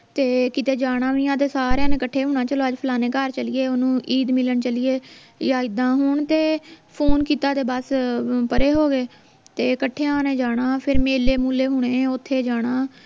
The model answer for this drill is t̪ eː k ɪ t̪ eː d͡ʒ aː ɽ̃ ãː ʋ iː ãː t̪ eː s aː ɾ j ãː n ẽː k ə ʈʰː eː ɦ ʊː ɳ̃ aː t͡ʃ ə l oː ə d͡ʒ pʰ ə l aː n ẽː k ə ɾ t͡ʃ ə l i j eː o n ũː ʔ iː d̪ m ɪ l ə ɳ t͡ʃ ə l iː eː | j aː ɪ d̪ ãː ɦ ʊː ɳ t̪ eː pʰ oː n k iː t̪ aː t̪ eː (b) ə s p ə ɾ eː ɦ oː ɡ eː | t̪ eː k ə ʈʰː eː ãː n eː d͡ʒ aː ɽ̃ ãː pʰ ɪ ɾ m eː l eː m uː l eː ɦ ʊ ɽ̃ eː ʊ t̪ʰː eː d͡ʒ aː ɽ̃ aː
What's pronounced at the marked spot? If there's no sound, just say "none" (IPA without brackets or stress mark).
b